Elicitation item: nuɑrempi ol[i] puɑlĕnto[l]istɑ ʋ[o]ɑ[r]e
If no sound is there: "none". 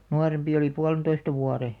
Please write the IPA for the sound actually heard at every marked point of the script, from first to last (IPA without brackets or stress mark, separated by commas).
i, none, u, r